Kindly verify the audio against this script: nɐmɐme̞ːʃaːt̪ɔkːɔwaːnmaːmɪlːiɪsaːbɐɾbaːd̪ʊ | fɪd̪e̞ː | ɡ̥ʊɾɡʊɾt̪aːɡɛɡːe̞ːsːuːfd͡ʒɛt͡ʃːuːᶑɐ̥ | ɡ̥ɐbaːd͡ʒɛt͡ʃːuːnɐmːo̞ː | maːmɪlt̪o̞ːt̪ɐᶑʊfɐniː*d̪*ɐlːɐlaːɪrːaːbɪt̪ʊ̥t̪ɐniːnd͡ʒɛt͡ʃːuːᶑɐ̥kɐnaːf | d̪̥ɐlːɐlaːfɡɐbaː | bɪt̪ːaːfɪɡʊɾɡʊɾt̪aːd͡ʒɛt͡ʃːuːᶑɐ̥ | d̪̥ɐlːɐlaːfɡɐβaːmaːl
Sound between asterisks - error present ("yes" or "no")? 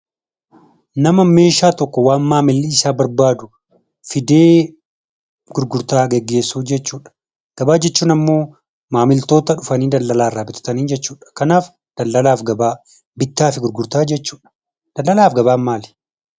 no